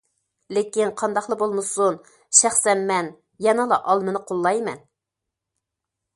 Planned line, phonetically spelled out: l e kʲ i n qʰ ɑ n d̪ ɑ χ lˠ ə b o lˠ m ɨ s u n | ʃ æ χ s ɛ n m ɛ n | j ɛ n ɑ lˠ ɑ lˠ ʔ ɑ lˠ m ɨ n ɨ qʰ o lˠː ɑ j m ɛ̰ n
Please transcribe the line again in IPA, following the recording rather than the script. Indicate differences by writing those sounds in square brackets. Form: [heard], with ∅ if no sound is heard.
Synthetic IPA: l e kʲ i n qʰ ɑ n d̪ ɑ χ lˠ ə b o lˠ m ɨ s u n | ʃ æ χ s ɛ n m ɛ n | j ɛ n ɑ lˠ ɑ [∅] ʔ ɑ lˠ m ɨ n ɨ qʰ o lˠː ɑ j m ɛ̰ n

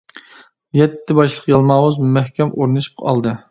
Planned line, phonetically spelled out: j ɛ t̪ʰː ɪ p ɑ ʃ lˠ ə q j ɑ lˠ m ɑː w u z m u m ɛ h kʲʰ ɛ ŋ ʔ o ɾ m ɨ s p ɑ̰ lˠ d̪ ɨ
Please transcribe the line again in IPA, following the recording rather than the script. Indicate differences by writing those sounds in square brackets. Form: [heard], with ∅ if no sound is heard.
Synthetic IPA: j ɛ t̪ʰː ɪ [b] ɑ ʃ lˠ ə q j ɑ lˠ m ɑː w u z m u m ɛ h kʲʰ ɛ [m] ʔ o ɾ [n] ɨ [ʃ] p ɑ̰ lˠ d̪ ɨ

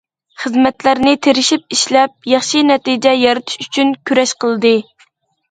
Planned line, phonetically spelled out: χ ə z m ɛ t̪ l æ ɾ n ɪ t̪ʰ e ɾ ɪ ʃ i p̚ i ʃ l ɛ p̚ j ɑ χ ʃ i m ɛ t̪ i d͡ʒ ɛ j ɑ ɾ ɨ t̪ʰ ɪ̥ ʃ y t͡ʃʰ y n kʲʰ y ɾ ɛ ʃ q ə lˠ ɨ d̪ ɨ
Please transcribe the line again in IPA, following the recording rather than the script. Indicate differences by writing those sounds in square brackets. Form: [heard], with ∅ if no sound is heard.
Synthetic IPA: χ ə z m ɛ t̪ l æ ɾ n ɪ t̪ʰ e ɾ ɪ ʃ i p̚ i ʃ l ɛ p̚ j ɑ χ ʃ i [n] ɛ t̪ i d͡ʒ ɛ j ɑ ɾ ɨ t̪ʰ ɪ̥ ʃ y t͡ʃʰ y n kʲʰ y ɾ ɛ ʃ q ə lˠ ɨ d̪ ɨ

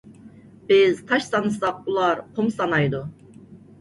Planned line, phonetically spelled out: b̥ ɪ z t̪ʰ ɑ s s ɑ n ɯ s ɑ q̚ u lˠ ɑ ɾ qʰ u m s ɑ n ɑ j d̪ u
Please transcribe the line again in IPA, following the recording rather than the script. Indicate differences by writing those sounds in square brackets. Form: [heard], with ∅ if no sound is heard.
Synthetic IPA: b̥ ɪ z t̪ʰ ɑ [ʃ] s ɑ n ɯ s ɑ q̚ u lˠ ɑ ɾ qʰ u m s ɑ n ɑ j d̪ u

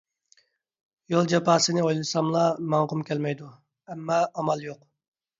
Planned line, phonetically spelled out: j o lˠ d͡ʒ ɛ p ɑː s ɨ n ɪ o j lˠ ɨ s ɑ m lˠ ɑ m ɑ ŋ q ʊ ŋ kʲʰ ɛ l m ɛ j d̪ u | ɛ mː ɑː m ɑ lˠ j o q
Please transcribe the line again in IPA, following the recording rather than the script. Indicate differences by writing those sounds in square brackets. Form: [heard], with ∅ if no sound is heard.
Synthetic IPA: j o lˠ d͡ʒ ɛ p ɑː s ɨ n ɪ o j lˠ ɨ s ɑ m lˠ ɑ m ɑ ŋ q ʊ [m] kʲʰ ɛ l m ɛ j d̪ u | ɛ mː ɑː m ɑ lˠ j o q

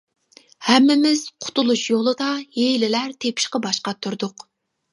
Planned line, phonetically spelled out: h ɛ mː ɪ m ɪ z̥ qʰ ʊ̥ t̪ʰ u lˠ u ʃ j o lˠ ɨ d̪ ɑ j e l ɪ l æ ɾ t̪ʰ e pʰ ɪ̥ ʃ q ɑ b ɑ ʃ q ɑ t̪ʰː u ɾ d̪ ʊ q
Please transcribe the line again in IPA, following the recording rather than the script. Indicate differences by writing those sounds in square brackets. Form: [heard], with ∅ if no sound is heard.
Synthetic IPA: h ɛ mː ɪ m ɪ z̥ qʰ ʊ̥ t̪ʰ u lˠ u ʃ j o lˠ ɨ d̪ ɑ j e l ɪ l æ ɾ t̪ʰ e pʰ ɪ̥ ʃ q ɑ b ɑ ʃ q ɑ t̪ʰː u ɾ d̪ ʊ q

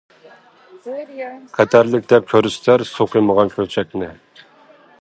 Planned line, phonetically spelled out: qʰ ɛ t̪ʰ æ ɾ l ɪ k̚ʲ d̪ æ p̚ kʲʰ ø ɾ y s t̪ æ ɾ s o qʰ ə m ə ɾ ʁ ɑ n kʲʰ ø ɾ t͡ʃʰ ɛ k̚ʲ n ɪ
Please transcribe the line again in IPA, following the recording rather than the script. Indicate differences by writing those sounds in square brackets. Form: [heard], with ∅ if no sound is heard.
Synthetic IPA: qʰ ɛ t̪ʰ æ ɾ l ɪ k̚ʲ d̪ [ɛ] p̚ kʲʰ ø ɾ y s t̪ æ ɾ s o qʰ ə m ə [∅] ʁ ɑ n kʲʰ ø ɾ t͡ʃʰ ɛ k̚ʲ n ɪ

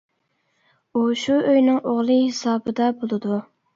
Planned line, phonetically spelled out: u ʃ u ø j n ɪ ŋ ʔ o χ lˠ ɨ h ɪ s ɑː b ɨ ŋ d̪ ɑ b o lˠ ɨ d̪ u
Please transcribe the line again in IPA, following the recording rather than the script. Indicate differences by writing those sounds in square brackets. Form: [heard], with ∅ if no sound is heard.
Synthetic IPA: u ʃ u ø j n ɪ ŋ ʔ o [ʁ] lˠ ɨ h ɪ s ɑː b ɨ [∅] d̪ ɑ b o lˠ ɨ d̪ u

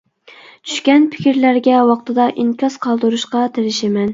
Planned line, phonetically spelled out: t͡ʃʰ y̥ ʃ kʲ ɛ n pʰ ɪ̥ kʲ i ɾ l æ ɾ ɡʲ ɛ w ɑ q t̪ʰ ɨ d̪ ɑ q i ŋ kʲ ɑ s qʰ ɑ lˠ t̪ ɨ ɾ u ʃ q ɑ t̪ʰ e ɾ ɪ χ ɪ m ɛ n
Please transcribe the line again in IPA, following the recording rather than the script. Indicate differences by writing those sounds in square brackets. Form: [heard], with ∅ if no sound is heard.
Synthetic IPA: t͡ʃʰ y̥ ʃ kʲ ɛ n pʰ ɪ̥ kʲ i ɾ l æ ɾ ɡʲ ɛ w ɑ q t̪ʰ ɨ d̪ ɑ [ʔ] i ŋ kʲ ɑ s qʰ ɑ lˠ [d̪] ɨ ɾ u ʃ q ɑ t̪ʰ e ɾ ɪ [ʃ] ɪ m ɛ n

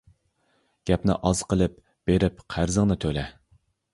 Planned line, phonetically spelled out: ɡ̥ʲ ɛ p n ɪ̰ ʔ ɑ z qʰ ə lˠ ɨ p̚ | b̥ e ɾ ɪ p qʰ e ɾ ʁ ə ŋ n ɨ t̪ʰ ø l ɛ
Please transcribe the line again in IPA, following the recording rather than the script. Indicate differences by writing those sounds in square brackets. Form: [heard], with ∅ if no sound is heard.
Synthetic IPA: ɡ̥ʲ ɛ p n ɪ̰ ʔ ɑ z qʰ ə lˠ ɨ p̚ | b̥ e ɾ ɪ p qʰ [æ] ɾ [z] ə ŋ n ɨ t̪ʰ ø l ɛ

